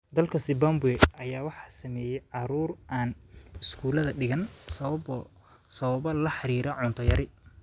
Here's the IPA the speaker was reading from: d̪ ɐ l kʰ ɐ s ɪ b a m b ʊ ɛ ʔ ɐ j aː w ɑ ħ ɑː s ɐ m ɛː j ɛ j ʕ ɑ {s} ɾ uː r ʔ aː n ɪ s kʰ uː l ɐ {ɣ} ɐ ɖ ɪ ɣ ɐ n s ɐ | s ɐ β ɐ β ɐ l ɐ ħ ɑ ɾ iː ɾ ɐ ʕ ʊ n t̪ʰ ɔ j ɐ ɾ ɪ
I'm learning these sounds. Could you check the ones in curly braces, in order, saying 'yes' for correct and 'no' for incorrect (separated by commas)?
no, no